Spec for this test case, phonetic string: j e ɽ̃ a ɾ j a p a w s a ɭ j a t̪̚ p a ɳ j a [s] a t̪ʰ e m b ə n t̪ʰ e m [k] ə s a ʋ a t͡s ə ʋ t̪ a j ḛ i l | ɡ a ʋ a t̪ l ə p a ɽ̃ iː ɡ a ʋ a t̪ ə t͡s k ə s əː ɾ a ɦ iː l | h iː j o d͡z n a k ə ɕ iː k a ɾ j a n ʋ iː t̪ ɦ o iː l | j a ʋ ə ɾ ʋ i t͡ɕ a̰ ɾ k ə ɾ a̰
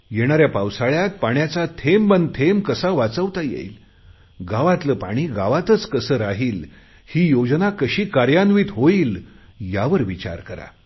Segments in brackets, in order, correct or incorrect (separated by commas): incorrect, correct